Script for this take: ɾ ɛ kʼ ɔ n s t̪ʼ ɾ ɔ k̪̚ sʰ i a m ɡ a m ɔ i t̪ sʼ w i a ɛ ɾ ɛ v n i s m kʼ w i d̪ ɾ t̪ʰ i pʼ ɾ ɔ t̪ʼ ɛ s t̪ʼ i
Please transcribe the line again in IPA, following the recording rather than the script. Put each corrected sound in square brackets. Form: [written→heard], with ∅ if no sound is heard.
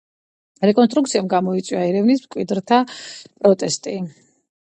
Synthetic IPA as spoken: ɾ ɛ kʼ ɔ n s t̪ʼ ɾ [ɔ→u] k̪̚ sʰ i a m ɡ a m ɔ i t̪ sʼ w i a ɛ ɾ ɛ v n i s m kʼ w i d̪ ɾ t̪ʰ [i→a] pʼ ɾ ɔ t̪ʼ ɛ s t̪ʼ i